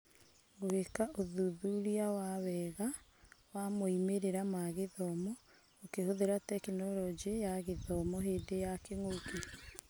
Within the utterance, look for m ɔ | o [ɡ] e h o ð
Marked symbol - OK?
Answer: no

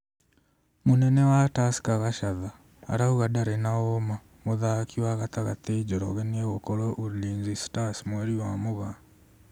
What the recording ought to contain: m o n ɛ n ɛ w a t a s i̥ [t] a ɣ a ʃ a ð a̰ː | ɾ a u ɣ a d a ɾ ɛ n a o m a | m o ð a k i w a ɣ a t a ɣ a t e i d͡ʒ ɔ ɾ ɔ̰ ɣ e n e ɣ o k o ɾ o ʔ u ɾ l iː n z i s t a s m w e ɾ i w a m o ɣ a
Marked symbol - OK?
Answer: no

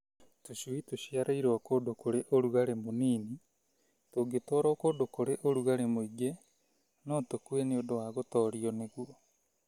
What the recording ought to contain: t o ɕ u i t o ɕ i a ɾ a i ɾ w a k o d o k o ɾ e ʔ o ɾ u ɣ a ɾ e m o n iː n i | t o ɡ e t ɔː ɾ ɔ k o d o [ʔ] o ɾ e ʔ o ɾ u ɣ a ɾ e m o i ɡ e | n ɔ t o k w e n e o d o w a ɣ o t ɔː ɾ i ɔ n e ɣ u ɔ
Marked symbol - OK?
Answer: no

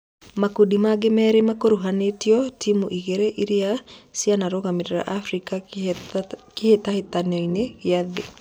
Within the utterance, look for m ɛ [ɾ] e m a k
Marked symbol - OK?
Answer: yes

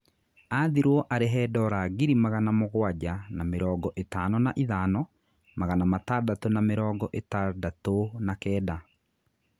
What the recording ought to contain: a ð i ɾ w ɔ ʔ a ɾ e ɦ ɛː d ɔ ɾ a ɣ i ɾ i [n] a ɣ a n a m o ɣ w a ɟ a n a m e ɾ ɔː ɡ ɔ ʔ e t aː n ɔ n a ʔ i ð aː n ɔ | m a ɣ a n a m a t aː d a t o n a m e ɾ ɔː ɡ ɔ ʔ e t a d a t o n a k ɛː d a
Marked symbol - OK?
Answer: no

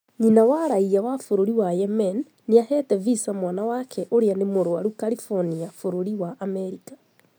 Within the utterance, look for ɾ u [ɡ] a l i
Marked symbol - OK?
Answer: no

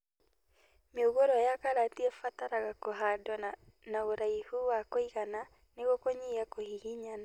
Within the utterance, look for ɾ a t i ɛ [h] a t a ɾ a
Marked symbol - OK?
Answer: no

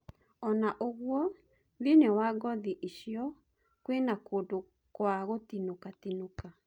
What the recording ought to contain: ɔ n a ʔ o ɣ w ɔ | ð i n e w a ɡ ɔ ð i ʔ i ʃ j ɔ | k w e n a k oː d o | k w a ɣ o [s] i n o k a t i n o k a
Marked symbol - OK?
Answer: no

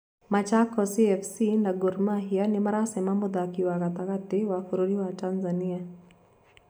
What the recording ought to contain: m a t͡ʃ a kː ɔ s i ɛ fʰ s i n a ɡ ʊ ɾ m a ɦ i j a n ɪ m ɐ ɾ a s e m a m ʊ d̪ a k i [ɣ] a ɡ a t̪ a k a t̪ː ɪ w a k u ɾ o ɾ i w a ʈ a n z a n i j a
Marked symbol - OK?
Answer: no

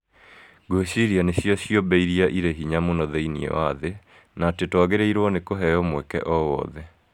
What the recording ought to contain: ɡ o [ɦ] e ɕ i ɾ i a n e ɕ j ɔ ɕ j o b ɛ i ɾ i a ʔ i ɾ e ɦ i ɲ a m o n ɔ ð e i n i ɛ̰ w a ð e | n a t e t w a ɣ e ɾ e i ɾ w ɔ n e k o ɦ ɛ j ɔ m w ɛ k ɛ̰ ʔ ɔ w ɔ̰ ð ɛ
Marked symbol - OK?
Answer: no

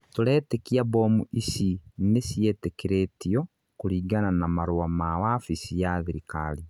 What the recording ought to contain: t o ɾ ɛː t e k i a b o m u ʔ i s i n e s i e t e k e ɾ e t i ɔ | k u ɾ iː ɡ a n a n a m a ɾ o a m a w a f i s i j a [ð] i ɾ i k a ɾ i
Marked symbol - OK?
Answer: yes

